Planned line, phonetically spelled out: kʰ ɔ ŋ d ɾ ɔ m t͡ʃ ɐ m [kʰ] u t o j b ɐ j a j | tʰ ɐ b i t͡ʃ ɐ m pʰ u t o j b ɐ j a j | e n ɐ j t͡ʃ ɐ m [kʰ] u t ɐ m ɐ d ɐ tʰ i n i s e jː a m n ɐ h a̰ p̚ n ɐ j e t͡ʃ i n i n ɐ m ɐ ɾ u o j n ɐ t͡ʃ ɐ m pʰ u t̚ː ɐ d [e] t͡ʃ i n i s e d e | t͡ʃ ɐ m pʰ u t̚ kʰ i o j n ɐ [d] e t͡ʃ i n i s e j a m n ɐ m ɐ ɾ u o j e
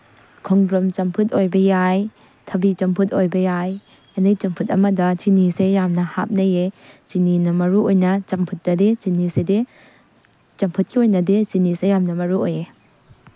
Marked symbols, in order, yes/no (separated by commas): no, no, yes, yes